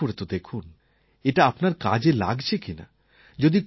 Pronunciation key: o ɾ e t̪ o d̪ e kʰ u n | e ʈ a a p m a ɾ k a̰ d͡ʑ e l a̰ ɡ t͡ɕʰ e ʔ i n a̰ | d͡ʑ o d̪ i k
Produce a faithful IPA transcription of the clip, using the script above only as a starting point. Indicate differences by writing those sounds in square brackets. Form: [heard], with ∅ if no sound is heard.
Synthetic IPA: o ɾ e t̪ o d̪ e kʰ u n | e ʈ a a p [n] a ɾ k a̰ d͡ʑ e l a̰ ɡ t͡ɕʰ e [k] i n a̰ | d͡ʑ o d̪ i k